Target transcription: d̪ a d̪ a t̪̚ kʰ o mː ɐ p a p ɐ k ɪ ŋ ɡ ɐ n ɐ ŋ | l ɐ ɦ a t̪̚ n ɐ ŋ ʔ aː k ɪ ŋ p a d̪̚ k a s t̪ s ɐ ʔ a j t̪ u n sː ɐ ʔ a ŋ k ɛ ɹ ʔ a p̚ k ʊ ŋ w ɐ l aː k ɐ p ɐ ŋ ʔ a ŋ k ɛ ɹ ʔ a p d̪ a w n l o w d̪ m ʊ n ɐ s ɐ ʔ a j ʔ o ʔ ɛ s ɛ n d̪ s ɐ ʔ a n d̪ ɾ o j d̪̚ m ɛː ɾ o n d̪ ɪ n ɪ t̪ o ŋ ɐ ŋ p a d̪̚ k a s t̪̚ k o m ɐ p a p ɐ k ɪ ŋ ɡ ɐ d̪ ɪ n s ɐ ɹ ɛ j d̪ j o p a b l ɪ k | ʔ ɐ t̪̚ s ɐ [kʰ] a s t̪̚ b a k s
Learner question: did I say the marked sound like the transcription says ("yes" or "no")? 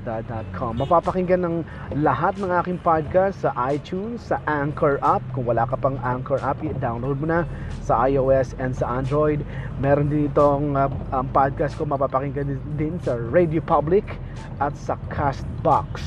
yes